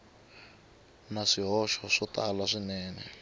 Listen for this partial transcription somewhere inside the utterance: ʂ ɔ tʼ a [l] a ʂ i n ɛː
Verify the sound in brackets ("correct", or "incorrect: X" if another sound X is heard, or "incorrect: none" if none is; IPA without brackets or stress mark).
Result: correct